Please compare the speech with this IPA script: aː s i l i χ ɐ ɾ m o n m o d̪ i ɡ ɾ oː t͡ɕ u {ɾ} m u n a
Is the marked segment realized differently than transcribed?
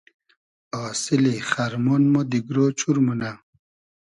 no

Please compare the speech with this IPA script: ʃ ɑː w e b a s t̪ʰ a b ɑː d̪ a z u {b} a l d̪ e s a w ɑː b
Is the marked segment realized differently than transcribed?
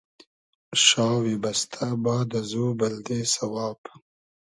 no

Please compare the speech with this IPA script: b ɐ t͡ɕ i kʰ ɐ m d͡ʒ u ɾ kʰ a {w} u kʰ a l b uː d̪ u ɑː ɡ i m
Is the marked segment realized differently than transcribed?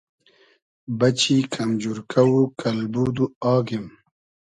no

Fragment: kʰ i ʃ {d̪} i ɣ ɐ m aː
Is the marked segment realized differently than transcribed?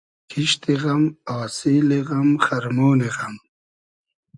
yes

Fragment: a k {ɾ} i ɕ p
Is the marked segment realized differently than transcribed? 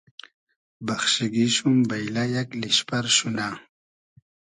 yes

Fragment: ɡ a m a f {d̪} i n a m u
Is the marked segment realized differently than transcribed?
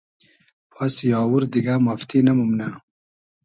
yes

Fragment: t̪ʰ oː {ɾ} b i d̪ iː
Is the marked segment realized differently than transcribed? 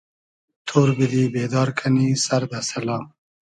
no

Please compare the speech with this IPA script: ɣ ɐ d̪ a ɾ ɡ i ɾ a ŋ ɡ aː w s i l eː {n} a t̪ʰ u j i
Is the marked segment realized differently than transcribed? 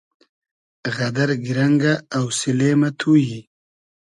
yes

